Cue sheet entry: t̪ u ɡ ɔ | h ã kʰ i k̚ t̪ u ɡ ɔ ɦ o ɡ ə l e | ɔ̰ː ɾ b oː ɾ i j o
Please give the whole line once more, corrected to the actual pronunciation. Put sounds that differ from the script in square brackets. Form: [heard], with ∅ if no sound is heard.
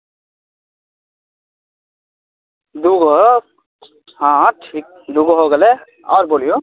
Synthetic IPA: [d̪] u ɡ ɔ | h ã [ʈʰ] i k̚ [d̪] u ɡ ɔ ɦ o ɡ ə l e | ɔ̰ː ɾ b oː [l] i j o